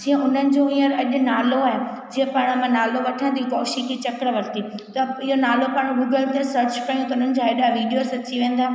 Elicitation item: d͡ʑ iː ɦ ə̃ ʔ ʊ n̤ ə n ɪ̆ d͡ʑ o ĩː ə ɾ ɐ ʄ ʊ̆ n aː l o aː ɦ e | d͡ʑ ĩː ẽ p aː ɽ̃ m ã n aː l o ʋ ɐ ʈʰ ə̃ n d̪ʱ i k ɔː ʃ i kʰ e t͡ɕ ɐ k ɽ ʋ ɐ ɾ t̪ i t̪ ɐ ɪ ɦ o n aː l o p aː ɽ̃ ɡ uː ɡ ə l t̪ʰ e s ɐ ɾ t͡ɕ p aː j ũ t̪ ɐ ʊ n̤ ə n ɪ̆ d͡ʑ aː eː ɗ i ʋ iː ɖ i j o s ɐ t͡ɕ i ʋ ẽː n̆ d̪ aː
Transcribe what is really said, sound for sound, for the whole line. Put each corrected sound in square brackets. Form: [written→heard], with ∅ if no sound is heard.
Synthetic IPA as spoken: d͡ʑ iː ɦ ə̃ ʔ ʊ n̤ ə n ɪ̆ d͡ʑ o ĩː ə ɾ ɐ ʄ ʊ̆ n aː l o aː ɦ e | d͡ʑ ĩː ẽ p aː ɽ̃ m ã n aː l o ʋ ɐ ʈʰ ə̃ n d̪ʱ i k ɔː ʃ i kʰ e t͡ɕ ɐ k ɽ ʋ ɐ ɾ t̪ i t̪ ɐ ɪ ɦ o n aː l o p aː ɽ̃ ɡ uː ɡ ə l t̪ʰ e s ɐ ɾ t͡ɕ p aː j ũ t̪ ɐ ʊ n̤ ə n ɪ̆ d͡ʑ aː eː ɗ [i→a] ʋ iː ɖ i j o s ɐ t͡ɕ i ʋ ẽː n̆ d̪ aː